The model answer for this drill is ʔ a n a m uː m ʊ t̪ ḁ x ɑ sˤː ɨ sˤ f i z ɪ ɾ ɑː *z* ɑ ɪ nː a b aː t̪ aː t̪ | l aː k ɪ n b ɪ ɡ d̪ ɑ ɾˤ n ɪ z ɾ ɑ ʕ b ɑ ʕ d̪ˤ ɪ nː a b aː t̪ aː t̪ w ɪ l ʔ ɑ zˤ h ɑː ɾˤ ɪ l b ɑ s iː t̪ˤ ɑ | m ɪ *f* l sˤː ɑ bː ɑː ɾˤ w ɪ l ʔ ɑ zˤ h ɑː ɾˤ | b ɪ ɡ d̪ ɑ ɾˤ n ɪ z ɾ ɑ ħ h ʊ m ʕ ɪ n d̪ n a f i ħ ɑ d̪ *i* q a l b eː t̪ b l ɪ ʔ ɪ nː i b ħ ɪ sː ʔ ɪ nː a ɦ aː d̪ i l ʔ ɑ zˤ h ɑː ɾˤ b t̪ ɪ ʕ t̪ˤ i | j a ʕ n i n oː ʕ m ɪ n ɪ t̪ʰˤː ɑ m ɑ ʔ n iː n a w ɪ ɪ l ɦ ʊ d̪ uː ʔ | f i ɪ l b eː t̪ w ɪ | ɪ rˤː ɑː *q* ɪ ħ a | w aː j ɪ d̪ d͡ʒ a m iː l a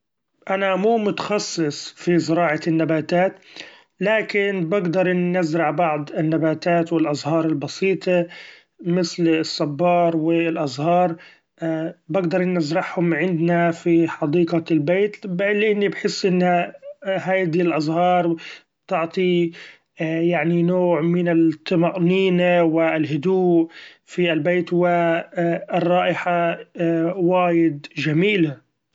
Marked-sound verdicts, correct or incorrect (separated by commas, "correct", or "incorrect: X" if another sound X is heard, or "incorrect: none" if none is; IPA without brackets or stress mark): incorrect: ʕ, incorrect: θ, incorrect: iː, incorrect: ʔ